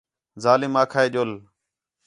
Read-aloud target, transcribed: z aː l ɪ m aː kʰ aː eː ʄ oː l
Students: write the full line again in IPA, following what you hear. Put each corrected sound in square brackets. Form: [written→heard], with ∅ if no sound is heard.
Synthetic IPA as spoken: z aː l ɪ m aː kʰ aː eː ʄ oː l